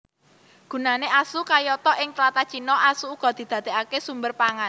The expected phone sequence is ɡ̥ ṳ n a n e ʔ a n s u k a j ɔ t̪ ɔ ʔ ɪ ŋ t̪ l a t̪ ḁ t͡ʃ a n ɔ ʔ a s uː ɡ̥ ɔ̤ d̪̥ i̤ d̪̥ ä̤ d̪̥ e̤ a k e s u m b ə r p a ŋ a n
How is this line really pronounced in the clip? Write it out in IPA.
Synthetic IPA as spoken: ɡ̥ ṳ n a n e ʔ a s u k a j ɔ t̪ ɔ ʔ ɪ ŋ t̪ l a t̪ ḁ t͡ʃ i n ɔ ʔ a s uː ɡ̥ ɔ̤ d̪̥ i̤ d̪̥ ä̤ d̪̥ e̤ a k e s u m b ə r p a ŋ a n